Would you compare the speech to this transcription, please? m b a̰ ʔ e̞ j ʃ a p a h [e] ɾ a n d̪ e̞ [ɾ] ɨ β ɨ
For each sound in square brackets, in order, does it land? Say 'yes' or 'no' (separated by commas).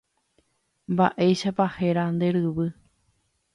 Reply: yes, yes